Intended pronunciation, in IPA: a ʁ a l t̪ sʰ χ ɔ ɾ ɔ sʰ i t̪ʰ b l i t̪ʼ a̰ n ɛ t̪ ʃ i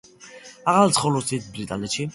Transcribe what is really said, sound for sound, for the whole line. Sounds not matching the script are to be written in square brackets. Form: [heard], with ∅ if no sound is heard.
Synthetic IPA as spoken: a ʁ a l t̪ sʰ χ ɔ [l] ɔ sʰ i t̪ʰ b [ɾ] i t̪ʼ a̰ n ɛ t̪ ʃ i